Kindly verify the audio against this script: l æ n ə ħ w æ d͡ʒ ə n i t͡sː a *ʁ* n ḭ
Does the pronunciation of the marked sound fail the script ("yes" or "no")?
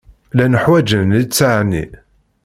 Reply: yes